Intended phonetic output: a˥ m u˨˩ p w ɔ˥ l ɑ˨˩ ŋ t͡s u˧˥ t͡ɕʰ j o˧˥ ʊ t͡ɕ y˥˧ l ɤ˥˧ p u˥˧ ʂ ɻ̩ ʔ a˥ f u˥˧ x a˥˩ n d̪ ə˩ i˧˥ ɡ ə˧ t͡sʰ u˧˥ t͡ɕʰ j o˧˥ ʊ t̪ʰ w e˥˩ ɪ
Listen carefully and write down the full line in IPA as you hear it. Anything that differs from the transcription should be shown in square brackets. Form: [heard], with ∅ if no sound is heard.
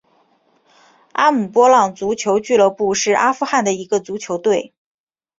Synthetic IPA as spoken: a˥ m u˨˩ p w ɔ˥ l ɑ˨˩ ŋ t͡s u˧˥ t͡ɕʰ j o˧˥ ʊ t͡ɕ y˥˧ l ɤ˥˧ p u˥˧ ʂ ɻ̩ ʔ a˥ f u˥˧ x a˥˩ n d̪ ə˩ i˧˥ ɡ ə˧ [t͡s] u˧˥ t͡ɕʰ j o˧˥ ʊ [t̪] w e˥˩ ɪ